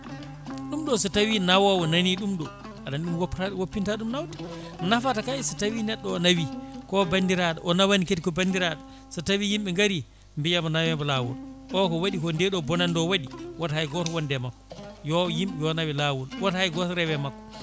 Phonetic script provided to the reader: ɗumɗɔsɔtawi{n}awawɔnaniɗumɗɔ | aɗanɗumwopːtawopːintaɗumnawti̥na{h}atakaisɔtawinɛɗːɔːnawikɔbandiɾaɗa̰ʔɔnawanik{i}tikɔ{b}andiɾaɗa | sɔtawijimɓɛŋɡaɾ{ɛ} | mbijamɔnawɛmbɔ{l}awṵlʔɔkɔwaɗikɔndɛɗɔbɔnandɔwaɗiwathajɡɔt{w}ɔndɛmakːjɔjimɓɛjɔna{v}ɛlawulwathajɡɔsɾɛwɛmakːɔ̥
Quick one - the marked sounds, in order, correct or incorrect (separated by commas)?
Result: correct, incorrect, incorrect, correct, incorrect, correct, correct, incorrect